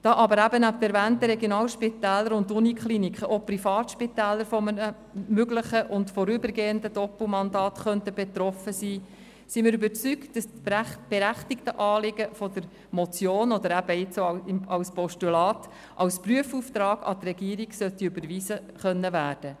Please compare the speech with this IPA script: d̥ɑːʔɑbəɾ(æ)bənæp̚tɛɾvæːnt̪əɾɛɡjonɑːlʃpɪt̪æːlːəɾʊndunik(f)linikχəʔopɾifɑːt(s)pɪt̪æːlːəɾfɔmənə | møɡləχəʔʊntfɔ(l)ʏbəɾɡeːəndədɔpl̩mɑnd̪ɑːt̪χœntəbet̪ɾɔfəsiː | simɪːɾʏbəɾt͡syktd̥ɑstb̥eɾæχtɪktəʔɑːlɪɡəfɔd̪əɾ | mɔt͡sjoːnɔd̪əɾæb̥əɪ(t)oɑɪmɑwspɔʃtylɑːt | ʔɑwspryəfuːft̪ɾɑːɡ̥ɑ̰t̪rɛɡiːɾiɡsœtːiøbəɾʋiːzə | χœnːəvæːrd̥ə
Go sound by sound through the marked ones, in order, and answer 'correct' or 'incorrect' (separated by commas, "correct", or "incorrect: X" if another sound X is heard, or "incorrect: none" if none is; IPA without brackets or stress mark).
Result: correct, incorrect: χ, incorrect: ʃ, incorrect: ɾ, incorrect: t͡s